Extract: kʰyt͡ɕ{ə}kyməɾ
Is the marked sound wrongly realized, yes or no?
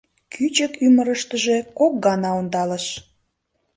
no